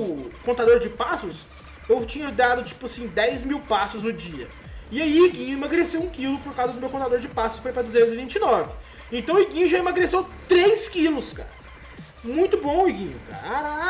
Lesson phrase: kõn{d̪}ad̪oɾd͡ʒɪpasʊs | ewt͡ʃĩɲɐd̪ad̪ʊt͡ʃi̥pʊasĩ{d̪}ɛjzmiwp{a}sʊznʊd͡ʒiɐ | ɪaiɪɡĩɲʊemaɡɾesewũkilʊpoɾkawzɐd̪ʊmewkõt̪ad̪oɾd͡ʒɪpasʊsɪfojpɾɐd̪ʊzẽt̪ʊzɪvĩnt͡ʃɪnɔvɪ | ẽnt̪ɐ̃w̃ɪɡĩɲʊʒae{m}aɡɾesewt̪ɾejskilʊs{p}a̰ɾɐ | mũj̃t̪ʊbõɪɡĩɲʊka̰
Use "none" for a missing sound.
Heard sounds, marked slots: t̪, d̪, a, m, k

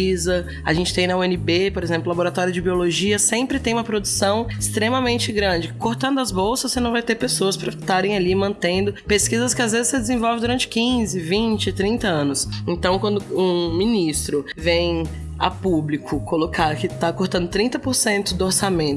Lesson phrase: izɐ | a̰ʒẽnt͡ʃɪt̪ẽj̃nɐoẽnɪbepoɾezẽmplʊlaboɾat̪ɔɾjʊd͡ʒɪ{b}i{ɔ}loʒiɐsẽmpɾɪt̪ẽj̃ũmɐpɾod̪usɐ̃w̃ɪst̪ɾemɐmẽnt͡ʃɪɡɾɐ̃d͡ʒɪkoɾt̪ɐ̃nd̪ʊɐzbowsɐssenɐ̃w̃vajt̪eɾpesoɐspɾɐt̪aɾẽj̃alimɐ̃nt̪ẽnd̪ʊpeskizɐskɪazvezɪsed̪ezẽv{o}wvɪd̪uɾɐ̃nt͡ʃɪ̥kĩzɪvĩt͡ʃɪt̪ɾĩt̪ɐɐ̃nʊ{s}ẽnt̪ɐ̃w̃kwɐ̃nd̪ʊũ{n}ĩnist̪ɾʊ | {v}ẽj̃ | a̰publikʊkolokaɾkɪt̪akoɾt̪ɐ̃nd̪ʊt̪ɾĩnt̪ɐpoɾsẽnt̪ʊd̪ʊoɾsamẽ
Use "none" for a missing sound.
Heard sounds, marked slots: b, o, ɔ, s, m, v

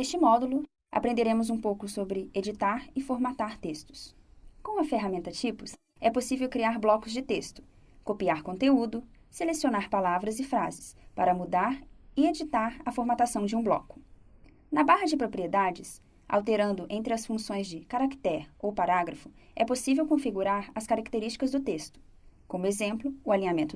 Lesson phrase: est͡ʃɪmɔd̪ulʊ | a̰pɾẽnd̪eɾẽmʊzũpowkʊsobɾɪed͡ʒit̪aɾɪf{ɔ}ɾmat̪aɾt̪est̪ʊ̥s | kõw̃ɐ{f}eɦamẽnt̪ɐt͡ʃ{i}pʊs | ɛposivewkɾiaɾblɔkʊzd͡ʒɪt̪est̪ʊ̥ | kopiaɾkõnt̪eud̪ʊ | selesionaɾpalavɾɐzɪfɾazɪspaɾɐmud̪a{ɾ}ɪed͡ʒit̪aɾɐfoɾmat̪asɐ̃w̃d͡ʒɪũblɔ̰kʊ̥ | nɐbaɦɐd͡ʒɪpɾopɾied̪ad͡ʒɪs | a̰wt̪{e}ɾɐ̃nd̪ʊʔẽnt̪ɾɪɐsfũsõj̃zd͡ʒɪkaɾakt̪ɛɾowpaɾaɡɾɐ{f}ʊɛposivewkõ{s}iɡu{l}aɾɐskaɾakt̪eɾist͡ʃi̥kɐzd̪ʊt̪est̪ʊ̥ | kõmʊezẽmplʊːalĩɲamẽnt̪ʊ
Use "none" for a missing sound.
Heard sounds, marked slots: o, f, i, ɾ, e, f, f, ɾ

